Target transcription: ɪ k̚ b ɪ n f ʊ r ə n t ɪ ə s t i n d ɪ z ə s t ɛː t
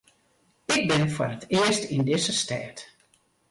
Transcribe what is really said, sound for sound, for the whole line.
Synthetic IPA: ɪ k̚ b ɪ n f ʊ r ə t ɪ ə s t i n d ɪ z ə s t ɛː t